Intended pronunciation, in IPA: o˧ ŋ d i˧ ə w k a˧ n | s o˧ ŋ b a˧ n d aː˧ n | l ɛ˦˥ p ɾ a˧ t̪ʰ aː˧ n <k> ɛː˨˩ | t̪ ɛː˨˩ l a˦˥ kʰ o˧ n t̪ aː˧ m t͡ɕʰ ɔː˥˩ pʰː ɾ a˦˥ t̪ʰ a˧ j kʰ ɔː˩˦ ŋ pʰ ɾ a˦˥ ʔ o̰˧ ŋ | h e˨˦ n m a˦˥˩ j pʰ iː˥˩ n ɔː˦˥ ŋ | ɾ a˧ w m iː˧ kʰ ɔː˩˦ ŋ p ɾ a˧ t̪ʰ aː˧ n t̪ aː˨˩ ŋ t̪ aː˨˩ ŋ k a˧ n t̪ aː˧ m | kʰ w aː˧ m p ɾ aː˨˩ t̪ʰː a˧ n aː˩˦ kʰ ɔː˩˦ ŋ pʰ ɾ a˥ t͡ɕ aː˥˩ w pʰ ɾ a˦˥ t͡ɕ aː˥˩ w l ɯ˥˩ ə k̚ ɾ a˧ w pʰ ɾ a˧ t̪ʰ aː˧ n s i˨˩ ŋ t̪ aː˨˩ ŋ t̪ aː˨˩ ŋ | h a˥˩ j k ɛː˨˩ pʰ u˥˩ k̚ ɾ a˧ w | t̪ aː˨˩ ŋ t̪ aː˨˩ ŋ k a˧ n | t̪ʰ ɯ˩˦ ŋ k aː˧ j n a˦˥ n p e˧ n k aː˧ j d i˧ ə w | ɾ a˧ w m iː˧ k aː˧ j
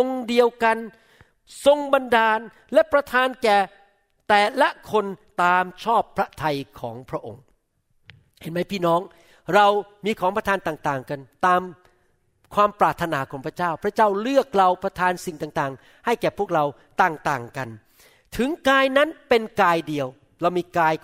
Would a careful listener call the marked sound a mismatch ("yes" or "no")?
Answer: no